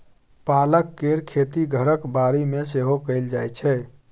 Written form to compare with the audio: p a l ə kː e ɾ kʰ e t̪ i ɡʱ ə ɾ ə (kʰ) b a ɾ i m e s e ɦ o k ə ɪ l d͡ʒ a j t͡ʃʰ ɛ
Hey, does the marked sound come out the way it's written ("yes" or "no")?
no